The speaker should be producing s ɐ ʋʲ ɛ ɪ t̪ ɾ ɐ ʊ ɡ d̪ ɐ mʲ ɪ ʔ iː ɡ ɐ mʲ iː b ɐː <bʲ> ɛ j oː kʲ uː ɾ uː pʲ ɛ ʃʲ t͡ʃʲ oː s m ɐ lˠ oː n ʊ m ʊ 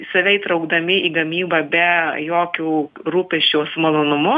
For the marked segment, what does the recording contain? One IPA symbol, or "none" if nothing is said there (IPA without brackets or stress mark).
bʲ